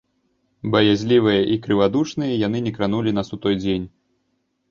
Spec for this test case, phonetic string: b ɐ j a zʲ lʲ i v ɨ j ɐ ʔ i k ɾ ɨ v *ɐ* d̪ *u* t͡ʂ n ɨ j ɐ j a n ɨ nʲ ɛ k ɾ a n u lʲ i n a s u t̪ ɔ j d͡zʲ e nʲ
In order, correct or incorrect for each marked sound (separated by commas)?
incorrect, correct